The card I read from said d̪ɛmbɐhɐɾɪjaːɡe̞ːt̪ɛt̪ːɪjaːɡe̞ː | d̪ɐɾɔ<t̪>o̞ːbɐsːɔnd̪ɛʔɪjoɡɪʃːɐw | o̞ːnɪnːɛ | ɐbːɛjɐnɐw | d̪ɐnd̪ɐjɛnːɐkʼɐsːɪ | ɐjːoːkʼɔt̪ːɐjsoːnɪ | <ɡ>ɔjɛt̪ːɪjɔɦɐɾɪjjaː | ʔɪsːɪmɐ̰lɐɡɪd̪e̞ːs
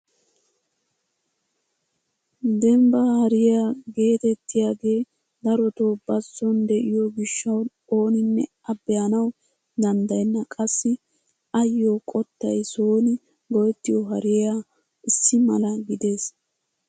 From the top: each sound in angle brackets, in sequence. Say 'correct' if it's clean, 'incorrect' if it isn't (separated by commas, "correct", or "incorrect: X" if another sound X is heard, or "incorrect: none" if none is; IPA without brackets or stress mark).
correct, correct